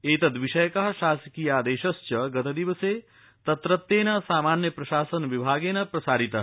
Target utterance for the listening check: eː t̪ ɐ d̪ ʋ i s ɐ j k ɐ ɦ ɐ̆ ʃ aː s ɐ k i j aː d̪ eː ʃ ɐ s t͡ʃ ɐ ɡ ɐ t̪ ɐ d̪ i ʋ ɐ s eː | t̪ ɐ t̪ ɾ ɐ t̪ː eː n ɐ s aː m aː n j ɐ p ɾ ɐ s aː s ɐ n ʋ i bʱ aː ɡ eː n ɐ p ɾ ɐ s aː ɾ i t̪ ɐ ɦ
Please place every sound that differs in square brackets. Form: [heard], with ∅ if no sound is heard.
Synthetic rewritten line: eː t̪ ɐ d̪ ʋ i [ʃ] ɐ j k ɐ ɦ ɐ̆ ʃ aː s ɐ k i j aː d̪ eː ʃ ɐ s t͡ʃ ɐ ɡ ɐ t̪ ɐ d̪ i ʋ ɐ s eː | t̪ ɐ t̪ ɾ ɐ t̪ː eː n ɐ s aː m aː n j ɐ p ɾ ɐ [ʃ] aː s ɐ n ʋ i bʱ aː ɡ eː n ɐ p ɾ ɐ s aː ɾ i t̪ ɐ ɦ